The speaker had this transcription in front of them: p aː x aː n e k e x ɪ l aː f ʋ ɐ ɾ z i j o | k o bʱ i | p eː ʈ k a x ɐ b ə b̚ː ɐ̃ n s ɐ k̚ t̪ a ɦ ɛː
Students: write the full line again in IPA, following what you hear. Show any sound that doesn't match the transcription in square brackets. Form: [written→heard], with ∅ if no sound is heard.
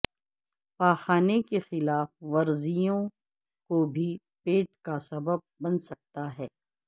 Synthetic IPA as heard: p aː x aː n e k e x ɪ l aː f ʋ ɐ ɾ z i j [o→õ] | k o bʱ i | p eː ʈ k a [x→s] ɐ b ə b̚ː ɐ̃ n s ɐ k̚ t̪ a ɦ ɛː